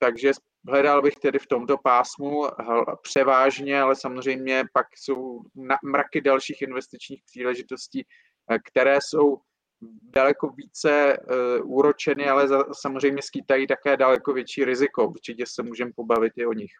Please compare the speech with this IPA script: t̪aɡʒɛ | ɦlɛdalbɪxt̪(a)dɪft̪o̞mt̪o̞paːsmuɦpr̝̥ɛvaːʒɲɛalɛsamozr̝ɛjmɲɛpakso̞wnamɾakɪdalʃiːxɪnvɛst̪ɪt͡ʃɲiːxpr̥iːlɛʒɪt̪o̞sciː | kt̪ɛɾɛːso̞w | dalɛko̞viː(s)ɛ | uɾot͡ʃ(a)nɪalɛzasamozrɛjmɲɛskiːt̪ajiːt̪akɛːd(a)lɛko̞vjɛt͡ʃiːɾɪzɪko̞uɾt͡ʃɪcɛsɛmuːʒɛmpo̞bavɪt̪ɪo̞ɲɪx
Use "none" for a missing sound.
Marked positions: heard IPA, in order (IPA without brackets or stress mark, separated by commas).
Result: ɛ, t͡s, ɛ, a